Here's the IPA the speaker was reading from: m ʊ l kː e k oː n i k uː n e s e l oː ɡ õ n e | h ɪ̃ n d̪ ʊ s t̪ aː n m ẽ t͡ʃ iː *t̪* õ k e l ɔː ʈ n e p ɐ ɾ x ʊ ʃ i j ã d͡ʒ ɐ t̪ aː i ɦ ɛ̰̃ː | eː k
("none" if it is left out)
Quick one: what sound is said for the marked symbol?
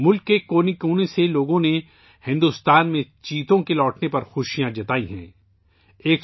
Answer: t̪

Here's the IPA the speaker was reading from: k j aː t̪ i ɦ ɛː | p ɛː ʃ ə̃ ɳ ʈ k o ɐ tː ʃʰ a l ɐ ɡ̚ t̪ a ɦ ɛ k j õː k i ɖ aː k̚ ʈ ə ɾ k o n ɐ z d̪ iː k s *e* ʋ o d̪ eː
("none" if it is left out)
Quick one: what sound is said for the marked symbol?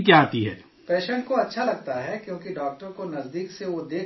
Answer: e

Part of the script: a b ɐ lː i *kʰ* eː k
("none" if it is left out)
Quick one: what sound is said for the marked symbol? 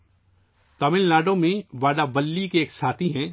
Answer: k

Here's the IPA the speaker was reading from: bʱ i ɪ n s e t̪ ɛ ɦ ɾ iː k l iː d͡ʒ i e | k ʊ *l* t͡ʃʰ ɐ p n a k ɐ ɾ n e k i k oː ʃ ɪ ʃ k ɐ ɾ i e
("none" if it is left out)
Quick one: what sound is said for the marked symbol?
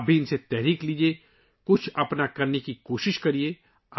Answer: none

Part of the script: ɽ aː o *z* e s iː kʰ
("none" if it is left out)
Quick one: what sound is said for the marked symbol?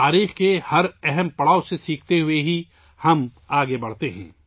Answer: s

